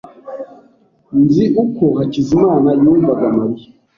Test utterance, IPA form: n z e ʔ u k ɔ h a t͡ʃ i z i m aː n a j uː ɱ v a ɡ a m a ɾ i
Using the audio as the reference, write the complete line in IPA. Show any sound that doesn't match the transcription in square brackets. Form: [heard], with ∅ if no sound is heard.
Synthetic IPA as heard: n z [i] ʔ u k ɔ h a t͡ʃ i z i m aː n a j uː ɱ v a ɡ a m a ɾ i

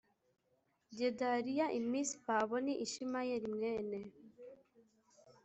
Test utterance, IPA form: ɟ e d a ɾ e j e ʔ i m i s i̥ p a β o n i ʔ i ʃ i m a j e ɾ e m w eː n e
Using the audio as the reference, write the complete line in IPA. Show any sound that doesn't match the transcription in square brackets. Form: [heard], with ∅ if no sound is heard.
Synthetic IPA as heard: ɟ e d a ɾ [i] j [a] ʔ i m i s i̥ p a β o n i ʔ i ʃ i m a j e ɾ [i] m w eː n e

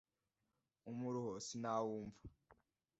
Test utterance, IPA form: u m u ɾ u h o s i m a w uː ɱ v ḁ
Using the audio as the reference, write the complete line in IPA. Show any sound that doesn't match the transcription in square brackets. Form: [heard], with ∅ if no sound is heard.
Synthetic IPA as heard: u m u ɾ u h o s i [n] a w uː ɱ v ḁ

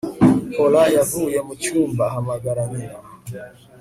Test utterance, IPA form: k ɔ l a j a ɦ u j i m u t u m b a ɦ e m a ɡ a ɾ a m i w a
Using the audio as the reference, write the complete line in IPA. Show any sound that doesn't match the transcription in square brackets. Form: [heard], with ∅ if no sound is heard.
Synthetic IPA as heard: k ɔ l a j a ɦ u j [a] m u [t͡ʃ] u m b a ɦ [a] m a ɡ a ɾ a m i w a

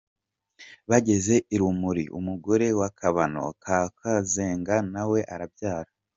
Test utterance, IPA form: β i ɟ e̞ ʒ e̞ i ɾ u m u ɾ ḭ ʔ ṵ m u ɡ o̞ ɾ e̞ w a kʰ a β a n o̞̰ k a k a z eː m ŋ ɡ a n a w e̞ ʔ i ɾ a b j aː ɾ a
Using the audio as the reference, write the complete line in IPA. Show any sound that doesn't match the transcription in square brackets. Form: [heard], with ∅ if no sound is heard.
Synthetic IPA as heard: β [a] ɟ e̞ [z] e̞ i ɾ u m u ɾ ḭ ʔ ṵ m u ɡ o̞ ɾ e̞ w a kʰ a β a n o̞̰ k a k a z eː [∅] ŋ ɡ a n a w e̞ ʔ [a] ɾ a b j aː ɾ a

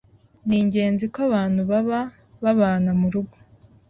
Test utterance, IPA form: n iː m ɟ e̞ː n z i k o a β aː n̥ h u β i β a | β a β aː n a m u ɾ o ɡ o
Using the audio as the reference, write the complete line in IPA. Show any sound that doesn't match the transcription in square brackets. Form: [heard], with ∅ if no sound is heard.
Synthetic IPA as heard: n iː [ɲ] ɟ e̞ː n z i k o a β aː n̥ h u β [a] β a | β a β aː n a m u ɾ [u] ɡ o

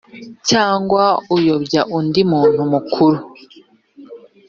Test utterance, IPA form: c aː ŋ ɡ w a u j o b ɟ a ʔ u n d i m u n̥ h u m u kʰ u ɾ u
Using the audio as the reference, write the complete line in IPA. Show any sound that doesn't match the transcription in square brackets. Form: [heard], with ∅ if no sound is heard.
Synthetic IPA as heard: c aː ŋ ɡ w a u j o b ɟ a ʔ u n d i m [uː] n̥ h u m u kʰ u ɾ u

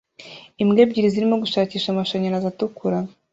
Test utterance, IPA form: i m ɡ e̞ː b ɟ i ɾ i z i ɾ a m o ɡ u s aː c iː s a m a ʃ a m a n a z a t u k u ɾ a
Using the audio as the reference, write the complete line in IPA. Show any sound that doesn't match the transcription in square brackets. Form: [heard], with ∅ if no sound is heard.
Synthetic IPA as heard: i m ɡ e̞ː b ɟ i ɾ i z i ɾ [i] m o ɡ u [ʃ] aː c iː [ʃ] a m a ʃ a [ɲ] a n a z a t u k u ɾ a

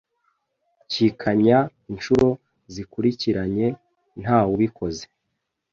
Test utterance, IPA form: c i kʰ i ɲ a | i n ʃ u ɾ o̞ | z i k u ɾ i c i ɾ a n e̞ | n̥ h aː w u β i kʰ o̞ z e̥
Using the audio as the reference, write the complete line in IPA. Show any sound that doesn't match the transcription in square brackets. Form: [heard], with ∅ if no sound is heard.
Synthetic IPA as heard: c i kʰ [a] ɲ a | i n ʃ u ɾ o̞ | z i k u ɾ i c i ɾ a [ɲ] e̞ | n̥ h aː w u β i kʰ o̞ z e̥

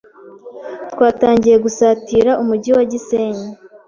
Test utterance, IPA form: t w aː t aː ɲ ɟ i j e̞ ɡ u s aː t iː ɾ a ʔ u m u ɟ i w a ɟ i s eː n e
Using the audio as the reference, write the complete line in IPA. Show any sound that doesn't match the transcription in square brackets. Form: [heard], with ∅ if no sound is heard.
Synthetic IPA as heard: t w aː t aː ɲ ɟ i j e̞ ɡ u s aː t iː ɾ a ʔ u m u ɟ i w a ɟ i s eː [ɲ] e

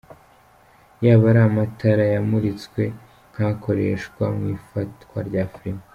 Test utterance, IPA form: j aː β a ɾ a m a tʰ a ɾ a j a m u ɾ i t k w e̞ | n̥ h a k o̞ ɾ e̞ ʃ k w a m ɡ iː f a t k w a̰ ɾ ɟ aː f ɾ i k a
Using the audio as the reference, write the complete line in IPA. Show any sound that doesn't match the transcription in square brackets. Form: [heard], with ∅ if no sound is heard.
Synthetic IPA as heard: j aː β a ɾ a m a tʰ a ɾ a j a m u ɾ i [t͡s] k w e̞ | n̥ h a k o̞ ɾ e̞ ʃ k w a m [ŋ] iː f a t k w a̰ ɾ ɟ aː f ɾ i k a

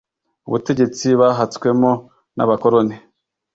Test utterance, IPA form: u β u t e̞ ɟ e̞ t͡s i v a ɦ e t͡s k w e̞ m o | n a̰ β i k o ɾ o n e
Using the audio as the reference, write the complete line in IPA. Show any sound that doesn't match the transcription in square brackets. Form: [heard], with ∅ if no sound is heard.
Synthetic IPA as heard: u β u t e̞ ɟ e̞ t͡s i [β] a ɦ [a] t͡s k w e̞ m o | n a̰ β [a] k o ɾ o n e

